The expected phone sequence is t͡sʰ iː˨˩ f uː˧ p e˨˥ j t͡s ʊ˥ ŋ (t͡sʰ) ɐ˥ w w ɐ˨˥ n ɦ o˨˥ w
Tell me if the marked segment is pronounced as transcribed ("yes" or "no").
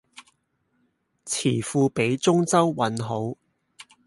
no